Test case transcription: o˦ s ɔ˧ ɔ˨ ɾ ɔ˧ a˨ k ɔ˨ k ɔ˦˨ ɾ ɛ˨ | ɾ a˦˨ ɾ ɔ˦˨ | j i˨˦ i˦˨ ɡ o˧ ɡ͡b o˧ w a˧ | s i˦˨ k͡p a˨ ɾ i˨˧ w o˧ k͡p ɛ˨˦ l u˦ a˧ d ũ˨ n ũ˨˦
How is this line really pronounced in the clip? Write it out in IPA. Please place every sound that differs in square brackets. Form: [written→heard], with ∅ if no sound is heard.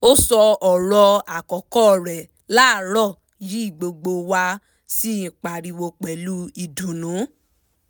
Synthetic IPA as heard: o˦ s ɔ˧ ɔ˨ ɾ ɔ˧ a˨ k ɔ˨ k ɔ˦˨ ɾ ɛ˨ | [ɾ→l] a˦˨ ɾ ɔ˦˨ | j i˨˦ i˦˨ [ɡ→ɡ͡b] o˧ ɡ͡b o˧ w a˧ | s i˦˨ k͡p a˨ ɾ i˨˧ w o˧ k͡p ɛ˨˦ l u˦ [a˧→i˧] d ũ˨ n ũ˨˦